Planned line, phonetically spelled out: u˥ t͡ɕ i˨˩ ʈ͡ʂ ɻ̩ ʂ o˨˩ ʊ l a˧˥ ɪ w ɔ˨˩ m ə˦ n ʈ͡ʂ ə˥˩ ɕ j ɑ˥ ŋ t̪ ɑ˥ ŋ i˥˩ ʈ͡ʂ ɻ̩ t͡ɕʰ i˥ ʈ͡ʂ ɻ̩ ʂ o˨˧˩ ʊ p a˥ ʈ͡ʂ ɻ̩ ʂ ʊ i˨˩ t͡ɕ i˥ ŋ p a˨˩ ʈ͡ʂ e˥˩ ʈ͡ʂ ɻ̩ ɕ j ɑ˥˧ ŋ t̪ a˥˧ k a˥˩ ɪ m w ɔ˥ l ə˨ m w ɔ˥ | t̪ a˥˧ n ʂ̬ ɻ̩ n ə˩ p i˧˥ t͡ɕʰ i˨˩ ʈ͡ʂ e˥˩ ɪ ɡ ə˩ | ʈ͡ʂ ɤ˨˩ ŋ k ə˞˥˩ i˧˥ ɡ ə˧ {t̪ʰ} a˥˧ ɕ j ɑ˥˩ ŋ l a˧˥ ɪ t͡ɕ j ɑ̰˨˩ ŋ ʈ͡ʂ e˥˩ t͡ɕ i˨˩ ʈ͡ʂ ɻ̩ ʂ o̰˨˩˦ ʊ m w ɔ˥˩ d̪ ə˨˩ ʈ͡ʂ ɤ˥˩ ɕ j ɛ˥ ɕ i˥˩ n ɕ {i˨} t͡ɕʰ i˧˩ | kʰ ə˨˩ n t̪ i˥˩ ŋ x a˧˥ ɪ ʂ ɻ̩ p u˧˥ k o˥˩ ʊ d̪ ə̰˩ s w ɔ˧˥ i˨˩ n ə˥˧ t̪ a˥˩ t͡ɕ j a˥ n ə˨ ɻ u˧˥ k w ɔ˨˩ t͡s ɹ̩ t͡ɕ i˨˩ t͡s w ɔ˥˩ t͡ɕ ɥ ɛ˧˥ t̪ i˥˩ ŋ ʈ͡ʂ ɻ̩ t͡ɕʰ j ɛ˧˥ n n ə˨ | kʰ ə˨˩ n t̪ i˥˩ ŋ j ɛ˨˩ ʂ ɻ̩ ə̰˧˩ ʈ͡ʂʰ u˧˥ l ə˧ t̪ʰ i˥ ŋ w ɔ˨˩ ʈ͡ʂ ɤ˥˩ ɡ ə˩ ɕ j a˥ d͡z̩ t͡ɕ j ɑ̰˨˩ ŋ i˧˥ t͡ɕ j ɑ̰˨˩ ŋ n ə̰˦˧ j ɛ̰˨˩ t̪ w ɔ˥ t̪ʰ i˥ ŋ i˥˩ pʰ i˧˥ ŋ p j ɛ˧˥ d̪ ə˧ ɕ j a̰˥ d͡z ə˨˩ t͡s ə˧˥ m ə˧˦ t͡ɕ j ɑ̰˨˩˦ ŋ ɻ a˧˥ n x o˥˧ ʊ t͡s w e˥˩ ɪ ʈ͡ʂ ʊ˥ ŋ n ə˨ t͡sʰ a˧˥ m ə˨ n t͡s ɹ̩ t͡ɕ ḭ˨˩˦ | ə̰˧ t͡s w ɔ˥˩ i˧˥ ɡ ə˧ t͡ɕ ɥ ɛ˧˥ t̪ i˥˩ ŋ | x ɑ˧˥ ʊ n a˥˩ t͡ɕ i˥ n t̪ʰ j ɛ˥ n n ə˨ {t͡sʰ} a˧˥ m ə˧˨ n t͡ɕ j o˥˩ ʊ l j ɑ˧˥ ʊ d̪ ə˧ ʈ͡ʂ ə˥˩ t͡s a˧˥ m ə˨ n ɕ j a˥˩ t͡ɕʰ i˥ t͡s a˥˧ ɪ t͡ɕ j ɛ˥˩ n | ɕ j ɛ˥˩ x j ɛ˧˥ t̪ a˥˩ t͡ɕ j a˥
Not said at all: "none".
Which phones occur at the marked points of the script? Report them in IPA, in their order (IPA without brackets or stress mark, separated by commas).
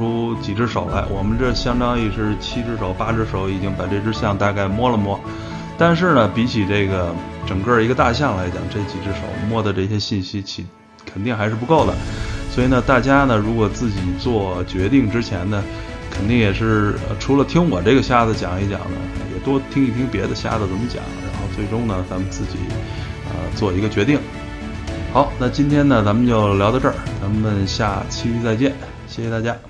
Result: t̪, i˥, t͡s